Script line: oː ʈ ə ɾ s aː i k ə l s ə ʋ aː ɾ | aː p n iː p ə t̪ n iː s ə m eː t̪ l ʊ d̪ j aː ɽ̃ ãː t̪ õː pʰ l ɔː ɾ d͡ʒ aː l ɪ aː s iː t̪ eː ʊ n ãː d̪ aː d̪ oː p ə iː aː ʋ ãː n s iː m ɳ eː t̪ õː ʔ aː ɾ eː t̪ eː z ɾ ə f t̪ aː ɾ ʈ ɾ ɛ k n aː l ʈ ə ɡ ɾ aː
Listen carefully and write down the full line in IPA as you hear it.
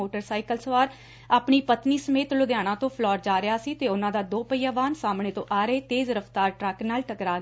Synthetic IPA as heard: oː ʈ ə ɾ s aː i k ə l s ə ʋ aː ɾ | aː p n iː p ə t̪ n iː s ə m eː t̪ l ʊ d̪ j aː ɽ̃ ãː t̪ õː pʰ l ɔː ɾ d͡ʒ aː ɾ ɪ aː s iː t̪ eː ʊ n ãː d̪ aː d̪ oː p ə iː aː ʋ aː n s aː m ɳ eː t̪ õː ʔ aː ɾ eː t̪ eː z ɾ ə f t̪ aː ɾ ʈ ɾ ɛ k n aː l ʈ ə k ɾ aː

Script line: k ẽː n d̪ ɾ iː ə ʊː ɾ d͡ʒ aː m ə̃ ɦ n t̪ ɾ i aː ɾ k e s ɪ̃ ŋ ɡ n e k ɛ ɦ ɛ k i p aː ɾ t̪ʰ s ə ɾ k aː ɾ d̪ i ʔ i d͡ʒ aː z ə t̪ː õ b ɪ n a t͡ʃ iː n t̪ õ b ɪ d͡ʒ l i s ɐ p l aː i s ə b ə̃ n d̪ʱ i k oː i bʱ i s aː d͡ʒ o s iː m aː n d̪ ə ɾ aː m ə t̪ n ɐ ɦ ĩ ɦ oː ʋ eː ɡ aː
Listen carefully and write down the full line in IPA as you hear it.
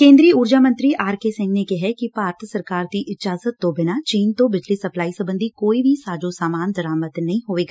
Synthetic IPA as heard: k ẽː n d̪ ɾ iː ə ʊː ɾ d͡ʒ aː m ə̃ n t̪ ɾ i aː ɾ k e s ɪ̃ ŋ ɡ n e k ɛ ɦ ɛ k i p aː ɾ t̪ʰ s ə ɾ k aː ɾ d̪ i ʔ ɪ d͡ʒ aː z ə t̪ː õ b ɪ n a t͡ʃ iː n t̪ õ b ɪ d͡ʒ l i s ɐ p l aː i s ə b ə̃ n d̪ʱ i k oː i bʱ i s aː d͡ʒ o s aː m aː n d̪ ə ɾ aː m ə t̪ n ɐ ɦ ĩ ɦ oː ʋ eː ɡ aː

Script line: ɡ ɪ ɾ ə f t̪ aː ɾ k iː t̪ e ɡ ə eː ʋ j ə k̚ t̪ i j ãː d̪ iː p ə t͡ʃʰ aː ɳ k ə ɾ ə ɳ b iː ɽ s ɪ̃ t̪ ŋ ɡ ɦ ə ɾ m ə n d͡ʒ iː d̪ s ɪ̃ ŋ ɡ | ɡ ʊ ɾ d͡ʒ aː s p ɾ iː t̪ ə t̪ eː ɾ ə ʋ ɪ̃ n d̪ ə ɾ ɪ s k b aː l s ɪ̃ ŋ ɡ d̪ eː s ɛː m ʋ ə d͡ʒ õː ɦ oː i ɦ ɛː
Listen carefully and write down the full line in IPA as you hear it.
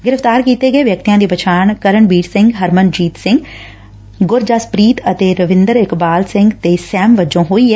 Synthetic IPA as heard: ɡ ɪ ɾ ə f t̪ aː ɾ k iː t̪ e ɡ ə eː ʋ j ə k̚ t̪ i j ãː d̪ iː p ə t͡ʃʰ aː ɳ k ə ɾ ə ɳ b iː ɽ s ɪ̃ ŋ ɡ ɦ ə ɾ m ə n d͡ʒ iː t̪ s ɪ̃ ŋ ɡ | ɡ ʊ ɾ d͡ʒ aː s p ɾ iː t̪ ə t̪ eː ɾ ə ʋ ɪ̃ n d̪ ə ɾ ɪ k b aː l s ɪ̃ ŋ ɡ t̪ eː s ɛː m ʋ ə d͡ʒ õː ɦ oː i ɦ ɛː

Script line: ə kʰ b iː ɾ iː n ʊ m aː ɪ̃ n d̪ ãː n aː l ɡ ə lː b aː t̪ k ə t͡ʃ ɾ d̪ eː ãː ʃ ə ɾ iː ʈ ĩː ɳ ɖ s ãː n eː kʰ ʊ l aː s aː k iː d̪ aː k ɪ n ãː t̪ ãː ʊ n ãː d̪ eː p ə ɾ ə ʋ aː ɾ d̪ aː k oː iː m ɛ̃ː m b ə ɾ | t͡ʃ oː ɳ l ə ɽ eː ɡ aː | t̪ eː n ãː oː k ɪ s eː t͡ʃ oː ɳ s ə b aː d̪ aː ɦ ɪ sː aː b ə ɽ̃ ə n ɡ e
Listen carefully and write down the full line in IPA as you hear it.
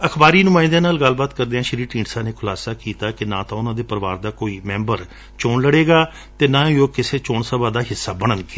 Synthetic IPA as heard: ə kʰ b aː ɾ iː n ʊ m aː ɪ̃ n d̪ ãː n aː l ɡ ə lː b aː t̪ k ə ɾ d̪ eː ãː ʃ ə ɾ iː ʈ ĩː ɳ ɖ s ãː n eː kʰ ʊ l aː s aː k iː t̪ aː k ɪ n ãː t̪ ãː ʊ n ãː d̪ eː p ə ɾ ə ʋ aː ɾ d̪ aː k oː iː m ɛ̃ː m b ə ɾ | t͡ʃ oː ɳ l ə ɽ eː ɡ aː | t̪ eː n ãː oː k ɪ s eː t͡ʃ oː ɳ s ə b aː d̪ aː ɦ ɪ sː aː b ə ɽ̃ ə n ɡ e

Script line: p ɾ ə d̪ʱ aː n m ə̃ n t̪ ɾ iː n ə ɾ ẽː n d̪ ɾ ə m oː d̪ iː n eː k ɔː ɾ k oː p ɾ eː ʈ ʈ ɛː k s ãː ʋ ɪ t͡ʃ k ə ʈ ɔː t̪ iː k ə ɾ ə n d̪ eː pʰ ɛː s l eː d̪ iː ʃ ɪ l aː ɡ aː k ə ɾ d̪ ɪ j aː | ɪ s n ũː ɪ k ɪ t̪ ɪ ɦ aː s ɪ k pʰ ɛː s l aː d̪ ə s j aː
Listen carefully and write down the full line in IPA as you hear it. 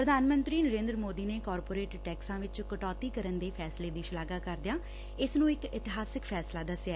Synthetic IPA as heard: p ɾ ə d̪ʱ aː n m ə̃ n t̪ ɾ iː n ə ɾ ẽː n d̪ ɾ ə m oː d̪ iː n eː k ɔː ɾ p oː ɾ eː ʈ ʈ ɛː k s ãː ʋ ɪ t͡ʃ k ə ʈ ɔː t̪ iː k ə ɾ ə n d̪ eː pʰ ɛː s l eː d̪ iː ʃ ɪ l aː ɡ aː k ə ɾ d̪ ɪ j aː | ɪ s n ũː ɪ k ɪ t̪ ɪ ɦ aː s ɪ k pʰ ɛː s l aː d̪ ə s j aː

